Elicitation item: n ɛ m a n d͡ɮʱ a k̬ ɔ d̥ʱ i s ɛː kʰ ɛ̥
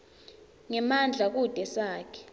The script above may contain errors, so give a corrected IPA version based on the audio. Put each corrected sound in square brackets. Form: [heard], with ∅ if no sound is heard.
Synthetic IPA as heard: [ŋ] ɛ m a n d͡ɮʱ a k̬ [u] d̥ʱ [ɛ] s [aː] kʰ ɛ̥